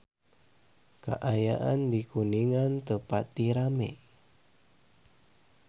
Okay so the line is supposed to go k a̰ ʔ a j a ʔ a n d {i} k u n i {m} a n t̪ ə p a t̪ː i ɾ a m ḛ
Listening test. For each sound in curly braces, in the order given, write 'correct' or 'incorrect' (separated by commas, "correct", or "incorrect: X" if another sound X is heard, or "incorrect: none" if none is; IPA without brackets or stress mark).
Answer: correct, incorrect: ŋ